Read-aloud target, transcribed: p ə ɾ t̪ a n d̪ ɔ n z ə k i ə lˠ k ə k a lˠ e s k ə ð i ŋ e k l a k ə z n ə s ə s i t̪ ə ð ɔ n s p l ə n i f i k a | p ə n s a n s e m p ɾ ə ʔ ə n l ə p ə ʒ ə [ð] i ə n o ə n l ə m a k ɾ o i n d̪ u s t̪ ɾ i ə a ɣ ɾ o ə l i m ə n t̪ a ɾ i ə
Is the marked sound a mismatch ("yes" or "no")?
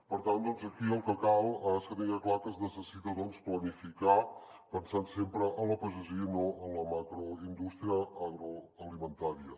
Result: yes